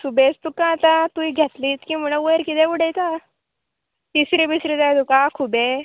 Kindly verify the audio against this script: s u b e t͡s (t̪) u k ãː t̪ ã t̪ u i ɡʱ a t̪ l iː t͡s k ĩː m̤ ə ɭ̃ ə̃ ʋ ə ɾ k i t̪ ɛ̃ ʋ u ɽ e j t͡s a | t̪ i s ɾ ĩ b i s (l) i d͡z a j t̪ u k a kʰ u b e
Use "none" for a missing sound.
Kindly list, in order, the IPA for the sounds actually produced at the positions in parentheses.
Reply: t̪, ɾ

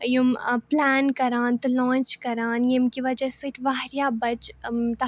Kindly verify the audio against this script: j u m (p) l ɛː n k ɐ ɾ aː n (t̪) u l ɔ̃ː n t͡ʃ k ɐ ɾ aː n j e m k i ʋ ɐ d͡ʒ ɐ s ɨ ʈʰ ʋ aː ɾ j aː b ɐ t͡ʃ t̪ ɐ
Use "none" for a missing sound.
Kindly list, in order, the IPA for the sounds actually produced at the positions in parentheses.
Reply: p, t̪

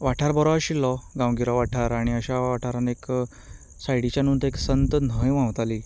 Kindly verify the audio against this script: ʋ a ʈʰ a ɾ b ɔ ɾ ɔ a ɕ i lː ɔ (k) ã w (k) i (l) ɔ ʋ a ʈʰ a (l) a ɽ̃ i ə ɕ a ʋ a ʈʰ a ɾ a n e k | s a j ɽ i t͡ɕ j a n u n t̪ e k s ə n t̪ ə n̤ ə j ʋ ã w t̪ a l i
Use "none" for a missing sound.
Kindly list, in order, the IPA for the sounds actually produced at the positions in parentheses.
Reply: ɡ, ɡ, ɾ, ɾ

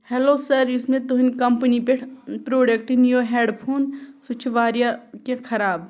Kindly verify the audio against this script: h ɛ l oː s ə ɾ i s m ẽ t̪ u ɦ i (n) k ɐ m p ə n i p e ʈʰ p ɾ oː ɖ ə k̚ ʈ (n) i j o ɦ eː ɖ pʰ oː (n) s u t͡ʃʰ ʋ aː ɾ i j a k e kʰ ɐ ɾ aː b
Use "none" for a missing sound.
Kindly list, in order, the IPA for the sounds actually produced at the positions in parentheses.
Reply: n, n, n

